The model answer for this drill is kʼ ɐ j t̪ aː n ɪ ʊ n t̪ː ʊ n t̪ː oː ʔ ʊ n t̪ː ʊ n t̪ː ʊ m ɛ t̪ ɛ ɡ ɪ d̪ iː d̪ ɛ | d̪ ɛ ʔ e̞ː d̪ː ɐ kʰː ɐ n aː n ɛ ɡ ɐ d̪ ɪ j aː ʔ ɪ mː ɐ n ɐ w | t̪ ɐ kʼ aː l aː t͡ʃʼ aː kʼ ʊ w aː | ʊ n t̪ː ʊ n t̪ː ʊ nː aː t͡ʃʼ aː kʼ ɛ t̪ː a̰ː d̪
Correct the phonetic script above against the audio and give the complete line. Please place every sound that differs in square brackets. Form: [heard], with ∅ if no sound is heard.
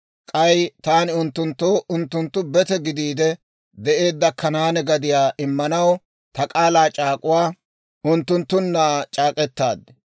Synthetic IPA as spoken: kʼ ɐ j t̪ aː n ɪ ʊ n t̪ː ʊ n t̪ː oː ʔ ʊ n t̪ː ʊ n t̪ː ʊ [b] ɛ t̪ ɛ ɡ ɪ d̪ iː d̪ ɛ | d̪ ɛ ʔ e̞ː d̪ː ɐ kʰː ɐ n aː n ɛ ɡ ɐ d̪ ɪ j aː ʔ ɪ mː ɐ n ɐ w | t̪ ɐ kʼ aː l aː t͡ʃʼ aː kʼ ʊ w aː | ʊ n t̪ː ʊ n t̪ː ʊ nː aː t͡ʃʼ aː kʼ ɛ t̪ː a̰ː d̪